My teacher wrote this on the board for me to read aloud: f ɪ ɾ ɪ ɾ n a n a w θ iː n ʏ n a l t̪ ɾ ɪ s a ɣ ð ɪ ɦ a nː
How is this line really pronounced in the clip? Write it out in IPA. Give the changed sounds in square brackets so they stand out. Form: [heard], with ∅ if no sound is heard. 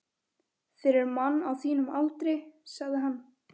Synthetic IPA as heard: f ɪ ɾ ɪ ɾ [m] a [nː] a w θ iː n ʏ [m] a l t̪ ɾ ɪ s a ɣ ð ɪ ɦ a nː

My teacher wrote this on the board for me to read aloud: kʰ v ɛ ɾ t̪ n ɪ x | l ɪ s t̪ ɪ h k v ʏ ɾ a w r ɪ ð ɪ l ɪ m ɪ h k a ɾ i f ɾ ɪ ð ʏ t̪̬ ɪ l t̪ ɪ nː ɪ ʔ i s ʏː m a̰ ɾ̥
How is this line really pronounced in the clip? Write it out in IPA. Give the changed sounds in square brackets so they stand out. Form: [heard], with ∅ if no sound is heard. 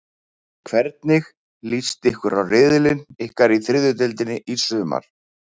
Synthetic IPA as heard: kʰ v ɛ ɾ t̪ n ɪ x | l [i] s t̪ ɪ h k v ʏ ɾ a w r ɪ ð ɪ l ɪ [n] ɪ h k a ɾ i [θ] ɾ ɪ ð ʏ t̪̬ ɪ l t̪ ɪ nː ɪ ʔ i s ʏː m a̰ ɾ̥

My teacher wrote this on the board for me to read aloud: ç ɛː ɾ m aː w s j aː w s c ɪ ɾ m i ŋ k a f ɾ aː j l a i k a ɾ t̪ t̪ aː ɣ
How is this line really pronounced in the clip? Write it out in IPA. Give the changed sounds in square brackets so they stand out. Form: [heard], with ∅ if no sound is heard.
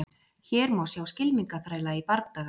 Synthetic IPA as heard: ç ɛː ɾ m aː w s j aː w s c ɪ [l] m i ŋ k a [θ] ɾ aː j l a i [p] a ɾ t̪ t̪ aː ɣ

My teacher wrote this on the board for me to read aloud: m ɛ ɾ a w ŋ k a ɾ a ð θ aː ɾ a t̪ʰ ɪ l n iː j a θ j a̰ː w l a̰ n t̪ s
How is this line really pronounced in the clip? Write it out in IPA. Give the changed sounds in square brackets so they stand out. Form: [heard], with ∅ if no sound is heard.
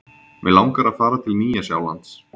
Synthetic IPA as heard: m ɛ [l] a w ŋ k a ɾ a ð [f] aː ɾ a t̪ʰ ɪ l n iː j a [s] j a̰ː w l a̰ n t̪ s

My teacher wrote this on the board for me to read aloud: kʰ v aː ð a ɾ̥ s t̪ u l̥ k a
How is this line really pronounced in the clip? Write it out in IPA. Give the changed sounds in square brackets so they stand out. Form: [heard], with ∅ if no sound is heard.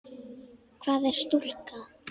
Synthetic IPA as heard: kʰ v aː ð [ɛ] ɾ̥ s t̪ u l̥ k a

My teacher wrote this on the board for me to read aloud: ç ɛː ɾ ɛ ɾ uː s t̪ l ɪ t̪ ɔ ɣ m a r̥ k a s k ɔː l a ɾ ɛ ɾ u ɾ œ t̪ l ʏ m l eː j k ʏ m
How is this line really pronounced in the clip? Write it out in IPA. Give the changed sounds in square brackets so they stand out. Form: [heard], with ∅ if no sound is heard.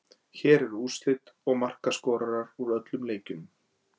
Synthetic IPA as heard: ç ɛː ɾ ɛ ɾ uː s t̪ l ɪ t̪ ɔ ɣ m a r̥ k a s k ɔː [ɾ] a ɾ [a] ɾ u ɾ œ t̪ l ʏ m l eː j [c] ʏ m

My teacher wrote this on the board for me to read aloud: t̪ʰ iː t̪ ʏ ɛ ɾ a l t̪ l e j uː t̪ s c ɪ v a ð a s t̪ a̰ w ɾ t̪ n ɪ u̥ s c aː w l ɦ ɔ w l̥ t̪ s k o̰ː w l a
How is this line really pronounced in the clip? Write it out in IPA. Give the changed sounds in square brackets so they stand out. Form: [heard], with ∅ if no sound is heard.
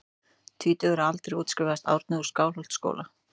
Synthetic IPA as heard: t̪ʰ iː t̪ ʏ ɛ ɾ a l t̪ [ɾ] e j uː t̪ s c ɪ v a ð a s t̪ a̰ w ɾ t̪ n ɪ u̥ s [k] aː w l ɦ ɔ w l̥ t̪ s k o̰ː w l a

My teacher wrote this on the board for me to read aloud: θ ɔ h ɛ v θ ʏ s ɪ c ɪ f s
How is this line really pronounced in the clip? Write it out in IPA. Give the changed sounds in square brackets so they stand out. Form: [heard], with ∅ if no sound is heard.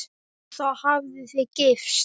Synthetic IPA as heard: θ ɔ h [a] v [ð] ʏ [θ] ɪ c ɪ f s

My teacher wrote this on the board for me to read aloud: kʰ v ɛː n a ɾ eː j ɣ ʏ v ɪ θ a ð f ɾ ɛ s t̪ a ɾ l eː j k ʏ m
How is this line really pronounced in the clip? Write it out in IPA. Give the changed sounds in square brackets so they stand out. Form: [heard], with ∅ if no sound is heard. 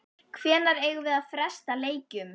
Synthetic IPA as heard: kʰ v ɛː n a ɾ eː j ɣ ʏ v ɪ [ð] a ð f ɾ ɛ s t̪ a [∅] l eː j [c] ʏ m

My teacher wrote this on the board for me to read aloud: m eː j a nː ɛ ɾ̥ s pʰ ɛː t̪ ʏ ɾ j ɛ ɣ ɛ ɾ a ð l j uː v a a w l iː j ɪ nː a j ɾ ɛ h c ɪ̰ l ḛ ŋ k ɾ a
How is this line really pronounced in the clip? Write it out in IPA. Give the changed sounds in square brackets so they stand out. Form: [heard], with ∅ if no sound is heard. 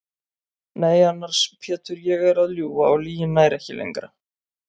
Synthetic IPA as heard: [n] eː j a nː [a] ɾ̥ s pʰ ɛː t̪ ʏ ɾ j ɛ ɣ ɛ ɾ a ð l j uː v a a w l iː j ɪ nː a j ɾ ɛ h c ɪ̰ l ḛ ŋ k ɾ a

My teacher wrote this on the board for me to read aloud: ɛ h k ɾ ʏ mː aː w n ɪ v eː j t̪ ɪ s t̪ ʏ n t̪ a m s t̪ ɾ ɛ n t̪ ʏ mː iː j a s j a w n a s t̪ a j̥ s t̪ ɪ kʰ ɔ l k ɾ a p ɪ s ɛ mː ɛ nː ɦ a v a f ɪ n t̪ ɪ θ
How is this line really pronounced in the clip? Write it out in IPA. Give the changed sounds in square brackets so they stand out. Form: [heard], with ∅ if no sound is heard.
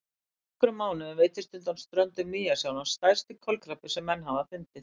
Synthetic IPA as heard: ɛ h k ɾ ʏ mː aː w n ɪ v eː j t̪ ɪ s t̪ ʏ n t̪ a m s t̪ ɾ [œ] n t̪ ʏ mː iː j a s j a w n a s t̪ a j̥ s t̪ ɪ kʰ ɔ l k ɾ a p ɪ s ɛ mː ɛ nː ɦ a v a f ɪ n t̪ ɪ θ

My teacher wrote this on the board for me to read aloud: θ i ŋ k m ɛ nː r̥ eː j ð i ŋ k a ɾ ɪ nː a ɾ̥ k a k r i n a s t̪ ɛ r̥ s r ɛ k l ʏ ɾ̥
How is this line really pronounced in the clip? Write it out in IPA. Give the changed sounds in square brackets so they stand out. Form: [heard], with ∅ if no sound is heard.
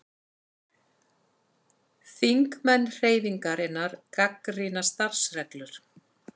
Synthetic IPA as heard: θ i ŋ k m ɛ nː r̥ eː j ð i ŋ k a ɾ ɪ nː a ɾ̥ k a k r i n a s t̪ [a] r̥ s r ɛ k l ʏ ɾ̥

